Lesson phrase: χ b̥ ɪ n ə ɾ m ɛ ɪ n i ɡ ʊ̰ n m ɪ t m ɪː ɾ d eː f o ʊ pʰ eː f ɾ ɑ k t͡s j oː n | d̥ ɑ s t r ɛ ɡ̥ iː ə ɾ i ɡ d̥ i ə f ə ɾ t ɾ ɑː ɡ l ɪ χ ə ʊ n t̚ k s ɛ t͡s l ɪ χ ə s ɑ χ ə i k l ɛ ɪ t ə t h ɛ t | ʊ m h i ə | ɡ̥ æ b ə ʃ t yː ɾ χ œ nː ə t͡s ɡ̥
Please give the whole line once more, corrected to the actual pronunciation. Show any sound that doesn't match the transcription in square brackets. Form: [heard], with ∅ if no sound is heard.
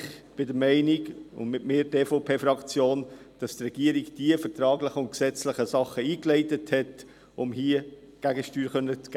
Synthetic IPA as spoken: χ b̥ ɪ [d] ə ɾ m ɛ ɪ n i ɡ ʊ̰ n m ɪ t m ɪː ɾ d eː f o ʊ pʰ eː f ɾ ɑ k t͡s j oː n | d̥ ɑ s t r ɛ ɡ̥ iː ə ɾ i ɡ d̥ i ə f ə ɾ t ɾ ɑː ɡ l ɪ χ ə ʊ n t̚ k s ɛ t͡s l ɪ χ ə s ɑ χ ə [iː] k l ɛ ɪ t ə t h ɛ t | ʊ m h i ə | ɡ̥ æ [ɡ] ə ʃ t yː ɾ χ œ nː ə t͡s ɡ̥